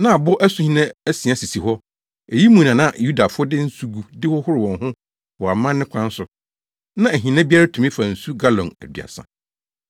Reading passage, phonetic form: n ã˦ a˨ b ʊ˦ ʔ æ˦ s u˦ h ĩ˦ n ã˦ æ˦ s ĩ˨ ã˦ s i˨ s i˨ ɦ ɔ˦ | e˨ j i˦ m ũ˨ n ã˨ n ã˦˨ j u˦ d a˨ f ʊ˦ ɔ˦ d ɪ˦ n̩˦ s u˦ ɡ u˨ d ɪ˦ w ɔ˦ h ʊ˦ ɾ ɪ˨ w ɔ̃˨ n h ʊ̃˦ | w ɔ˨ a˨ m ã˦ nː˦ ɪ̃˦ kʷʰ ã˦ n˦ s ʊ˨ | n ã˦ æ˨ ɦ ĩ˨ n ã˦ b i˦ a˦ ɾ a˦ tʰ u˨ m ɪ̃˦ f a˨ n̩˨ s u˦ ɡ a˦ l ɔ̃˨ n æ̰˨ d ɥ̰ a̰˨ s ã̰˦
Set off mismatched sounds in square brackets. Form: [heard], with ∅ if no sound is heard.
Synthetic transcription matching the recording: n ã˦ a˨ b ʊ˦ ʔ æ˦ s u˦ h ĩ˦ n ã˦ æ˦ s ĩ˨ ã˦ s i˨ s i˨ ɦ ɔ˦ | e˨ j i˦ m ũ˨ n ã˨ n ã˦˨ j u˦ d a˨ f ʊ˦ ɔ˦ d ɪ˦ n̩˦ s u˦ ɡ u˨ d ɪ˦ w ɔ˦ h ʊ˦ ɾ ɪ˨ w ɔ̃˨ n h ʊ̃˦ | w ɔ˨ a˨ m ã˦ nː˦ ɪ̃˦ kʷʰ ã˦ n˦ s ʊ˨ | n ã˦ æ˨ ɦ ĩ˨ n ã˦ b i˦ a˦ ɾ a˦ tʰ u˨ m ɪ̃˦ f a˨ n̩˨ s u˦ ɡ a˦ l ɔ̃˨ n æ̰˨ d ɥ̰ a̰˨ s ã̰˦